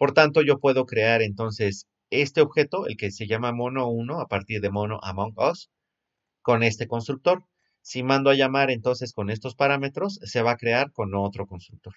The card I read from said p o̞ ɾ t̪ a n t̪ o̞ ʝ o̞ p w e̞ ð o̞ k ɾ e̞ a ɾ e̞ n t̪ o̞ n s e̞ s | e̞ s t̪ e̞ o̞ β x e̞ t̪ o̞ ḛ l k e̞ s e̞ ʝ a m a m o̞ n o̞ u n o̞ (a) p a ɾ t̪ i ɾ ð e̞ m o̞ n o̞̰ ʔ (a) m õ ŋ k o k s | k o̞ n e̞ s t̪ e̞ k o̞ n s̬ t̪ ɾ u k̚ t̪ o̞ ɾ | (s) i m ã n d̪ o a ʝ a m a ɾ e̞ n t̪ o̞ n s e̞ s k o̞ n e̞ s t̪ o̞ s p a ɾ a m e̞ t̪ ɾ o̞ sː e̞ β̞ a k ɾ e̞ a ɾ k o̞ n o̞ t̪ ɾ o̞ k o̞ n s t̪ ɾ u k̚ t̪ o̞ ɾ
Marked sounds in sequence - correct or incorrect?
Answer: correct, correct, correct

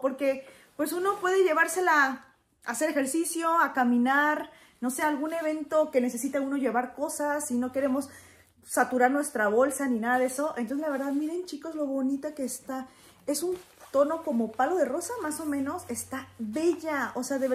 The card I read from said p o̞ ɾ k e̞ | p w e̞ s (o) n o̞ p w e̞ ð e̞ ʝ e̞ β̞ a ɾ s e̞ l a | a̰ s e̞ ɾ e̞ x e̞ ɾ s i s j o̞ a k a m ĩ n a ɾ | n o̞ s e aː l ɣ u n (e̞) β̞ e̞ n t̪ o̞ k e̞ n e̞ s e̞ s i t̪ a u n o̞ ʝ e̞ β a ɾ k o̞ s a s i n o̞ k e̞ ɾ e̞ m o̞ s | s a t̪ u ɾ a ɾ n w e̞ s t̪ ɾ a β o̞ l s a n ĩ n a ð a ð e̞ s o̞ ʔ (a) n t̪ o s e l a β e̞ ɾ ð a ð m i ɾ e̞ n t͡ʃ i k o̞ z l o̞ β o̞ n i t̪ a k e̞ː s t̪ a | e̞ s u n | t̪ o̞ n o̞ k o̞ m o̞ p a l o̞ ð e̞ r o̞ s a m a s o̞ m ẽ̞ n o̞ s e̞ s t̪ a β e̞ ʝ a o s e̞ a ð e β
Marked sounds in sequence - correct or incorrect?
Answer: incorrect, correct, incorrect

